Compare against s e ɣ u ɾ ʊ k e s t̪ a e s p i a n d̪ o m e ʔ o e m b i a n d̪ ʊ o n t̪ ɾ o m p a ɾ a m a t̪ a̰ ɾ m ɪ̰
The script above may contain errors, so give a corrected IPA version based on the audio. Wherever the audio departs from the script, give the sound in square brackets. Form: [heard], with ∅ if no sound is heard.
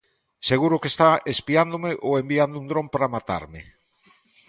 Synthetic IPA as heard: s e ɣ u ɾ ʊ k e s t̪ a e s p i a n d̪ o m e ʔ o e m b i a n d̪ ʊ [u] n [d̪] ɾ o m p a ɾ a m a t̪ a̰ ɾ m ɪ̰